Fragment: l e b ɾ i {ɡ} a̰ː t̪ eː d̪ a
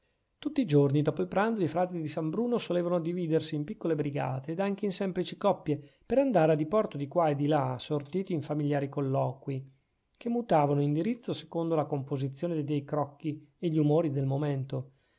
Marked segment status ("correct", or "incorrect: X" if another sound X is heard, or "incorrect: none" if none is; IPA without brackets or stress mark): correct